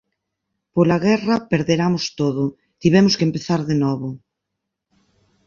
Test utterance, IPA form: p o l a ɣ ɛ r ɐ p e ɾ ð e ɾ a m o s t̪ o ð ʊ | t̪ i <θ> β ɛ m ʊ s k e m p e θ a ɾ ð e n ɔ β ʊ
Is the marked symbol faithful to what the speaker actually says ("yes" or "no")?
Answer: no